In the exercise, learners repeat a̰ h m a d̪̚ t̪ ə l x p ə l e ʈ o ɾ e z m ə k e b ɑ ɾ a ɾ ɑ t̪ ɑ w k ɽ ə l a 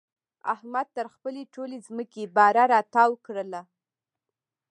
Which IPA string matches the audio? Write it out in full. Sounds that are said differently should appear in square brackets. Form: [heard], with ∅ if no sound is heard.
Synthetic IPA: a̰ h m a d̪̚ t̪ ə [ɾ] x p ə l e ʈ o [l] e z m ə k e b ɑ ɾ a ɾ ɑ t̪ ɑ w k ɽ ə l a